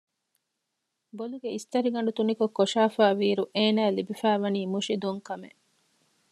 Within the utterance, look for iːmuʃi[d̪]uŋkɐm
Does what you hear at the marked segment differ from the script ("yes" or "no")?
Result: no